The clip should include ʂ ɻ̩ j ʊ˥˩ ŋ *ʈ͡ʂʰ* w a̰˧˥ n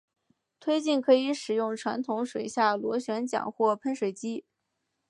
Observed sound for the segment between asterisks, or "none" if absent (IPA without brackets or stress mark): ʈ͡ʂʰ